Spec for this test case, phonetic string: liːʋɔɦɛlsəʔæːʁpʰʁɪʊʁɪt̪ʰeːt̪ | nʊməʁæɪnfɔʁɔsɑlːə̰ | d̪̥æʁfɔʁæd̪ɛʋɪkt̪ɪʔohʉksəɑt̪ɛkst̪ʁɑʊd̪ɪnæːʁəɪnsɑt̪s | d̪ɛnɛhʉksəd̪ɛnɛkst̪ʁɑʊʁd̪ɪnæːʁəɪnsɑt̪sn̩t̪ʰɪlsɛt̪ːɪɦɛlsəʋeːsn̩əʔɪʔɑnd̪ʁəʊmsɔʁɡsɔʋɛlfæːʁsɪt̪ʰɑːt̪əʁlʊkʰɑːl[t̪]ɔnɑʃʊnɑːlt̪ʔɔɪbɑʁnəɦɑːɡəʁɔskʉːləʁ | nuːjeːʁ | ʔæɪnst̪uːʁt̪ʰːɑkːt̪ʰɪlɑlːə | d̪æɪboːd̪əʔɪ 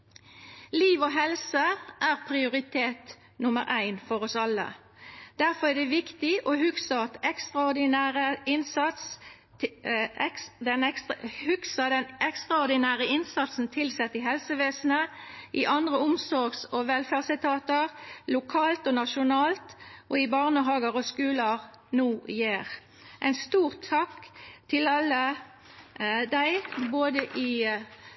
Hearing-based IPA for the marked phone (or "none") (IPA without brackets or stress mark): t̪